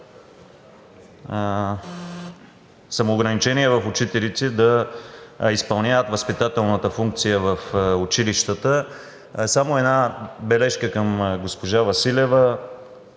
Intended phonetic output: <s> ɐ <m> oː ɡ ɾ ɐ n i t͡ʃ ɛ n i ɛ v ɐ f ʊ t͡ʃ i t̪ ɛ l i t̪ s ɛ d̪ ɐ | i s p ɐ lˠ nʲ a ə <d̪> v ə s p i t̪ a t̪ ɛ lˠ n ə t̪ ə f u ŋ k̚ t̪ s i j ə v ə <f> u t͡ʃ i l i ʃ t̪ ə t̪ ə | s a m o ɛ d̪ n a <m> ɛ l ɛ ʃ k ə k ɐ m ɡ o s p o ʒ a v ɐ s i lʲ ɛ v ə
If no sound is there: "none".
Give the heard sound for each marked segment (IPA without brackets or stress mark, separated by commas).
s, m, t̪, f, b